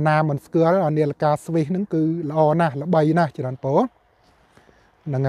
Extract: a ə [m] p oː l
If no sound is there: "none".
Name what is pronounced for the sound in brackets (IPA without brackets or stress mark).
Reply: n